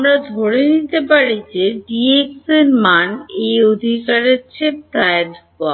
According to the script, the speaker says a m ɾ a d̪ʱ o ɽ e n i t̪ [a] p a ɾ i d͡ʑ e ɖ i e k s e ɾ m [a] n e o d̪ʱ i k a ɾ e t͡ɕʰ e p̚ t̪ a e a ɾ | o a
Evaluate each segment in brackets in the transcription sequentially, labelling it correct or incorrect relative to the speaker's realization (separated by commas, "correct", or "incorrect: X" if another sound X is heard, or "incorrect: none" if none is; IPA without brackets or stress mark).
incorrect: e, correct